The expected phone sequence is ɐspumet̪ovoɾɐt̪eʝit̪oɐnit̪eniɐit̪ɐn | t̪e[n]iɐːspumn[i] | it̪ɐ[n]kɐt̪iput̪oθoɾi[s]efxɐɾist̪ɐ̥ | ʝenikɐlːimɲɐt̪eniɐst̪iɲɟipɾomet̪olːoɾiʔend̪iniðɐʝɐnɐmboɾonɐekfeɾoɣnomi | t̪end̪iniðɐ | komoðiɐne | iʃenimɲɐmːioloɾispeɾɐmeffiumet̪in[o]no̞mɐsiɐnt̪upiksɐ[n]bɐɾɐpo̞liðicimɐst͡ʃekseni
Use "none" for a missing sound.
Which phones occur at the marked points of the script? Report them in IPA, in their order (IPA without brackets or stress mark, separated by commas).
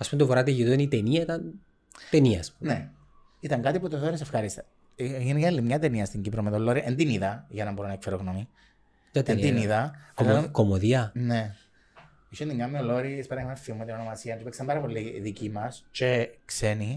n, e, ŋ, s, o, m